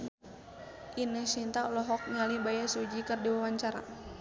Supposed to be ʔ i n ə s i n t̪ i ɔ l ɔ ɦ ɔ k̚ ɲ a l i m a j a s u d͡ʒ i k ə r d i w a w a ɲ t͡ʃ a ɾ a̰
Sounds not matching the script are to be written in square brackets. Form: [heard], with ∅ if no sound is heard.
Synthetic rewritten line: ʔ i n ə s i n t̪ [a] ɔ l ɔ ɦ ɔ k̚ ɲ a l i [b] a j a s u d͡ʒ i k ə r d i w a w a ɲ t͡ʃ a ɾ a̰